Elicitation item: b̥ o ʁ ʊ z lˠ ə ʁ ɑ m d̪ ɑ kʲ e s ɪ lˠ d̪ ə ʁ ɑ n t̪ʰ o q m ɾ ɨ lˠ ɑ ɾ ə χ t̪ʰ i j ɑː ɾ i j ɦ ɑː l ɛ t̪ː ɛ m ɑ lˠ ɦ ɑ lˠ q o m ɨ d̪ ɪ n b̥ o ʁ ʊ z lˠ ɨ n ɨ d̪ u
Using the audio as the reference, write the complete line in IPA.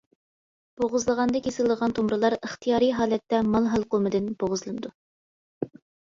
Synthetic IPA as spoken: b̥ o ʁ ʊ z lˠ ə ʁ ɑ n d̪ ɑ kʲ e s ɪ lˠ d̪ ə ʁ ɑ n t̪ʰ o m ɾ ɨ lˠ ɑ ɾ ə χ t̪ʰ i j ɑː ɾ i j ɦ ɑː l ɛ t̪ː ɛ m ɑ lˠ ɦ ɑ lˠ q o m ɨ d̪ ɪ n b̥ o ʁ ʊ z lˠ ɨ n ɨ d̪ u